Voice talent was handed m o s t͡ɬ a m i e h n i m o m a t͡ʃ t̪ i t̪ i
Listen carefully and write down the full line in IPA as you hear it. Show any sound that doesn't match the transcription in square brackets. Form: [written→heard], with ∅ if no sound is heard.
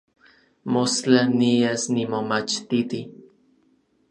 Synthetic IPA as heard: m o s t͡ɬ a [m→n] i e [h→s] n i m o m a t͡ʃ t̪ i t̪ i